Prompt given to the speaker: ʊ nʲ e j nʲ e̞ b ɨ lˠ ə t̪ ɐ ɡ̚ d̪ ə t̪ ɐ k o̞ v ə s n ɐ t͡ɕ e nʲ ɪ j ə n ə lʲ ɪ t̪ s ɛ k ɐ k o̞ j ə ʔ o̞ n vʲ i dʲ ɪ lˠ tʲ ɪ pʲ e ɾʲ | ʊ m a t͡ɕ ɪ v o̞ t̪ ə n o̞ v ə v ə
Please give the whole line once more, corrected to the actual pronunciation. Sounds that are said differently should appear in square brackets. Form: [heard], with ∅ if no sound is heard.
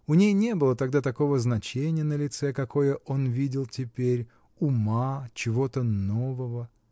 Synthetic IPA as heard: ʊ nʲ e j nʲ e̞ b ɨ lˠ ə t̪ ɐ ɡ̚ d̪ [a] t̪ ɐ k o̞ v ə [z] n ɐ t͡ɕ e nʲ ɪ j ə n ə lʲ ɪ t̪ s ɛ k ɐ k o̞ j ə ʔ o̞ n vʲ i dʲ ɪ lˠ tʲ ɪ pʲ e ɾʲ | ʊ m a t͡ɕ ɪ v o̞ t̪ ə n o̞ v ə v ə